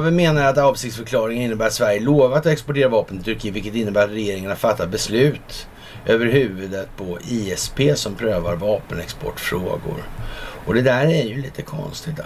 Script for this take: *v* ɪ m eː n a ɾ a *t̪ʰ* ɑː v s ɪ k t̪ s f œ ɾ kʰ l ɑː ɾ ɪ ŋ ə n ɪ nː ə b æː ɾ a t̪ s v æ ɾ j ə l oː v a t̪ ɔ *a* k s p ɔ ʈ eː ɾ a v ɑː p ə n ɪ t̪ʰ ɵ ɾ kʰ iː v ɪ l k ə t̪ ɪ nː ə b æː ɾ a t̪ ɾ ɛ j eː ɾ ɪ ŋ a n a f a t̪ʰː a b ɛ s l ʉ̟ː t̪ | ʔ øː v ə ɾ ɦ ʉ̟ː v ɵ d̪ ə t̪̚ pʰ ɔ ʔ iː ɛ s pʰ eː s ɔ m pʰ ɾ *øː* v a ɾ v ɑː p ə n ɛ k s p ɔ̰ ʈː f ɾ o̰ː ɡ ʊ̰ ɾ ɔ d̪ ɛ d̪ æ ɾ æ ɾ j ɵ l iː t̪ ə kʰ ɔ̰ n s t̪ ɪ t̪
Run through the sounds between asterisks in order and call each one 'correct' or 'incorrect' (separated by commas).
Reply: correct, incorrect, incorrect, correct